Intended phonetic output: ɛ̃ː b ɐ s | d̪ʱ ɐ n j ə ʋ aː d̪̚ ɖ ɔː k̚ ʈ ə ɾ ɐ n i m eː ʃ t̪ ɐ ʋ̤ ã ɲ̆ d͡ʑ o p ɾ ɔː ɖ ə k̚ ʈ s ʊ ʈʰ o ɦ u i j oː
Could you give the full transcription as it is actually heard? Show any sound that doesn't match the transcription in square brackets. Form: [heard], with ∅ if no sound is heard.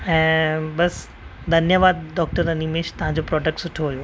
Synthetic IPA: ɛ̃ː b ɐ s | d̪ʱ ɐ n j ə ʋ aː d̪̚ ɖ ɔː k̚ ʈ ə ɾ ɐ n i m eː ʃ t̪ ɐ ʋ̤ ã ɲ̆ d͡ʑ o p ɾ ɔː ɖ ə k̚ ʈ s ʊ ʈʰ o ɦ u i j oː